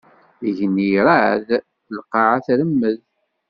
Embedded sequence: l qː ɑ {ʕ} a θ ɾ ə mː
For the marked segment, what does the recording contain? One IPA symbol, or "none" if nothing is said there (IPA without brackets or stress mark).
ʕ